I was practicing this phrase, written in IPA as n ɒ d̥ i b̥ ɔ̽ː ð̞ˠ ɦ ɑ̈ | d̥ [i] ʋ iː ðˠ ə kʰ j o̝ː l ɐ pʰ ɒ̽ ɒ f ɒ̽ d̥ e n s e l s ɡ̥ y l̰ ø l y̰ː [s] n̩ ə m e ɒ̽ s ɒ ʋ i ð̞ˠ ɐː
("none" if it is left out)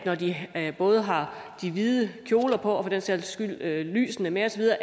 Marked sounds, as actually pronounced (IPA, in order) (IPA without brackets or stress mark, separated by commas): i, s